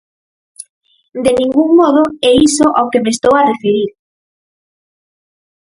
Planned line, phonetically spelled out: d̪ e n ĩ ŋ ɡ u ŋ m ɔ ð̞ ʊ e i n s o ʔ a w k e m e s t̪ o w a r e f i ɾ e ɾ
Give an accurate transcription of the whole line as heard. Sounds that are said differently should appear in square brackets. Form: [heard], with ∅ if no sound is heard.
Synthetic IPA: d̪ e n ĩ ŋ ɡ u ŋ m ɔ ð̞ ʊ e i [∅] s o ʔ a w k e m e s t̪ o w a r e f [e] ɾ [i] ɾ

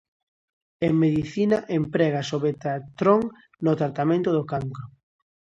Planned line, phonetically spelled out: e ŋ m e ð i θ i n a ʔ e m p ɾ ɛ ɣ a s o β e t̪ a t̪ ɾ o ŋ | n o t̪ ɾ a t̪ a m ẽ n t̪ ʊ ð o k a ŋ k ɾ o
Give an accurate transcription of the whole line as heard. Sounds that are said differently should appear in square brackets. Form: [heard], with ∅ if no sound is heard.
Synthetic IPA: e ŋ m e ð i θ i n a ʔ e m p ɾ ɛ ɣ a s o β e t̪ a t̪ ɾ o ŋ | n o t̪ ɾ a t̪ a m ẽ n t̪ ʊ ð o k a ŋ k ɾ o

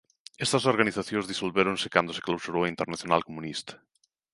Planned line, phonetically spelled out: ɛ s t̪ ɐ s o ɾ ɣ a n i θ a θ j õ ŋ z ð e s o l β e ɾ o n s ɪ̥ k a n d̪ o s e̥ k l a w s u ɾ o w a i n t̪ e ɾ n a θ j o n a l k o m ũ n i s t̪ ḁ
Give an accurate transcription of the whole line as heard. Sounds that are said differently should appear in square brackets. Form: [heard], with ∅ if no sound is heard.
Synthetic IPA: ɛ s t̪ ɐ s o ɾ ɣ a n i θ a θ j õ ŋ z ð [i] s o l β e ɾ o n s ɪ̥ k a n d̪ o s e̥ k l a w s u ɾ o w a i n t̪ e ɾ n a θ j o n a l k o m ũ n i s t̪ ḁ

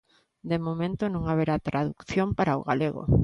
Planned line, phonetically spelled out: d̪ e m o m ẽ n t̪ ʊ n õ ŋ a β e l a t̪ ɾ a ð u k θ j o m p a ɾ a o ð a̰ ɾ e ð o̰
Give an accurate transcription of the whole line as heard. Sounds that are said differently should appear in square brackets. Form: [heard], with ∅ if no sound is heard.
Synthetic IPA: d̪ e m o m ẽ n t̪ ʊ n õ ŋ a β e [ɾ] a t̪ ɾ a ð u k θ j o m p a ɾ a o [ɣ] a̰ [l] e [ɣ] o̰

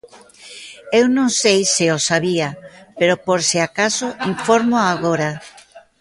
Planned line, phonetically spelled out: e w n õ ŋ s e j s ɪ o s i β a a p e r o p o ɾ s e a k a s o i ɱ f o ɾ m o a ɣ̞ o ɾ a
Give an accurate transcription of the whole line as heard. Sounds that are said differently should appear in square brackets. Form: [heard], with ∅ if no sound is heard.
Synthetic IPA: e w n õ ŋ s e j s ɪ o s [a] β [i] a p e [ɾ] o p o ɾ s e a k a s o i ɱ f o ɾ m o a ɣ̞ o ɾ a

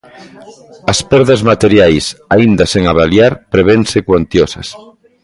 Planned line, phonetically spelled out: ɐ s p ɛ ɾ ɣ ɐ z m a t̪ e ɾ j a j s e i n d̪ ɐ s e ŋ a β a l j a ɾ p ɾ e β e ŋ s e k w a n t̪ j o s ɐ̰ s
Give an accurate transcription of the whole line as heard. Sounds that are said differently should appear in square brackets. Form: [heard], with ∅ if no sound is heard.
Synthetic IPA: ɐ s p ɛ ɾ [ð] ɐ z m a t̪ e ɾ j a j s [a] i n d̪ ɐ s e ŋ a β a l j a ɾ p ɾ e β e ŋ s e k w a n t̪ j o s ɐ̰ s

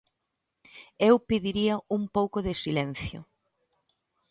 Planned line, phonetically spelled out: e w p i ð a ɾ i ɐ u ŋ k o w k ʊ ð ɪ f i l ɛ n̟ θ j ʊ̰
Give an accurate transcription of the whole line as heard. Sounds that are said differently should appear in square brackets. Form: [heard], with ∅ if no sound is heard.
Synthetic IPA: e w p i ð [i] ɾ i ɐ u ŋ [p] o w k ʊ ð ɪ [s] i l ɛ n̟ θ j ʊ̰

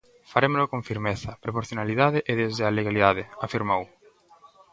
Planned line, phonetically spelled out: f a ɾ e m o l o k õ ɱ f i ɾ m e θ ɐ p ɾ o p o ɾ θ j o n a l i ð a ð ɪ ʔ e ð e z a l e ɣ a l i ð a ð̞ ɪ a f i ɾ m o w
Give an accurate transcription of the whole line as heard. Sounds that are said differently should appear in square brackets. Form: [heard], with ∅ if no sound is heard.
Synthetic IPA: f a ɾ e m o l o k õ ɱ f i ɾ m e θ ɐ p ɾ o p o ɾ θ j o n a l i ð a ð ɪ ʔ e ð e z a l e ɣ a l i ð a ð̞ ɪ a f i ɾ m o w

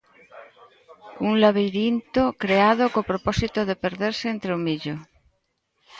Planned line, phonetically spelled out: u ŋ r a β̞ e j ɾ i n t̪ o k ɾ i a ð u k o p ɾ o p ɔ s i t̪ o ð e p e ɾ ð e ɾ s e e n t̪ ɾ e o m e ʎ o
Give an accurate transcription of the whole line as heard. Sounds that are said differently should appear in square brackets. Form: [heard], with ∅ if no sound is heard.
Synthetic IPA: u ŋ [l] a β̞ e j ɾ i n t̪ o k ɾ [e] a ð [o] k o p ɾ o p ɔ s i t̪ o ð e p e ɾ ð e ɾ s e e n t̪ ɾ e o m [i] ʎ o

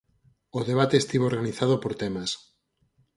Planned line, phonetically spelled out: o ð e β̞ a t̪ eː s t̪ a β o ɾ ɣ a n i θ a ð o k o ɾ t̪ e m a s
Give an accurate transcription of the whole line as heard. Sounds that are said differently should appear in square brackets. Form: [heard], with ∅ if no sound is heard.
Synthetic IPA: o ð e β̞ a t̪ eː s t̪ [i] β o ɾ ɣ a n i θ a ð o [p] o ɾ t̪ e m a s

